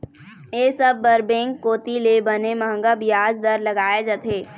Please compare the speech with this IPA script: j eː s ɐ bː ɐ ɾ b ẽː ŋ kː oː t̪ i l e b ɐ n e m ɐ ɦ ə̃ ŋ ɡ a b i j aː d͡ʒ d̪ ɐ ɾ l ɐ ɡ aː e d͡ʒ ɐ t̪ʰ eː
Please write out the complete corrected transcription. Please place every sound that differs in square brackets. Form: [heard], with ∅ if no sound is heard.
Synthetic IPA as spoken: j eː s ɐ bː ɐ ɾ b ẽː ŋ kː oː t̪ i l e b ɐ n e m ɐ ɦ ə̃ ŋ ɡ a b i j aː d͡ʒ d̪ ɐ ɾ l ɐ ɡ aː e d͡ʒ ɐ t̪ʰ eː